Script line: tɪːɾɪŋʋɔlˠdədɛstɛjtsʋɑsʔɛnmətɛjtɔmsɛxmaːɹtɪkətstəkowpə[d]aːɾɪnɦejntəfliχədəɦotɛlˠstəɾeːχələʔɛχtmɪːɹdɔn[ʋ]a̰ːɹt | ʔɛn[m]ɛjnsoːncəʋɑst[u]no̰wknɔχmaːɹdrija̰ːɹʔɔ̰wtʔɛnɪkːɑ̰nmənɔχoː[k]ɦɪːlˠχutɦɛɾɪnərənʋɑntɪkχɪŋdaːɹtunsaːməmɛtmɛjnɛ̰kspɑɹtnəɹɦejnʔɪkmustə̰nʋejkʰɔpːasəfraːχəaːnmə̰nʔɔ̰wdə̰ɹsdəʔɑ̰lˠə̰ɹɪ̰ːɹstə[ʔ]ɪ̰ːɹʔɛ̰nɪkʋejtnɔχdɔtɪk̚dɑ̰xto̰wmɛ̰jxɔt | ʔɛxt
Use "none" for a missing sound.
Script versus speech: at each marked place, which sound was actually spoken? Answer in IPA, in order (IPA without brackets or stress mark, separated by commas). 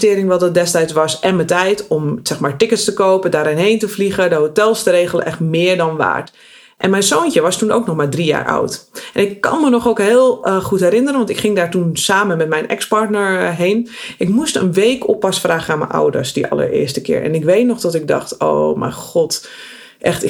d, ʋ, m, u, k, k